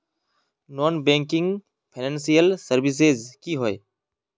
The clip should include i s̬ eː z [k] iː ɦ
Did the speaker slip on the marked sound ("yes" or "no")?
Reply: no